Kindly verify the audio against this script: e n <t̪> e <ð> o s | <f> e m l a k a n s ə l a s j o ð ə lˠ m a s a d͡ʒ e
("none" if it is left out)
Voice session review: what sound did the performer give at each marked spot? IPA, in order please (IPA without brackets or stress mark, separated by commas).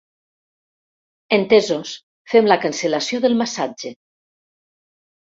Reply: t̪, z, f